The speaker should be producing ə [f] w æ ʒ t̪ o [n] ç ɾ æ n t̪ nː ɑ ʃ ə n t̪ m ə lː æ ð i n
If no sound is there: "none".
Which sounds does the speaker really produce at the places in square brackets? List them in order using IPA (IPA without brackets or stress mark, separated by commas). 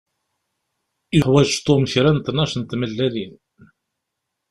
ħ, m